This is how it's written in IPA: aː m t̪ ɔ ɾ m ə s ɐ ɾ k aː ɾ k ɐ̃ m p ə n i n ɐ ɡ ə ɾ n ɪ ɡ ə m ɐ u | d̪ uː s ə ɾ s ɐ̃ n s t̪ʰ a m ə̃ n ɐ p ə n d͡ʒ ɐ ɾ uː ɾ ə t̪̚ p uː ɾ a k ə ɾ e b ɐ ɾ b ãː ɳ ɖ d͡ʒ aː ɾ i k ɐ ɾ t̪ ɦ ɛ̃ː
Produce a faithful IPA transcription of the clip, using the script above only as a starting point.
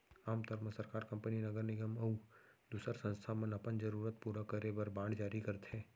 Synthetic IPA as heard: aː m t̪ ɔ ɾ m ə s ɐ ɾ k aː ɾ k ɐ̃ m p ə n i n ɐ ɡ ə ɾ n ɪ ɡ ə m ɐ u | d̪ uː s ə ɾ s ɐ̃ n s t̪ʰ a m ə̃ n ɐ p ə n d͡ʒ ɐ ɾ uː ɾ ə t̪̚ p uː ɾ a k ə ɾ e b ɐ ɾ b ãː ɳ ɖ d͡ʒ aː ɾ i k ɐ ɾ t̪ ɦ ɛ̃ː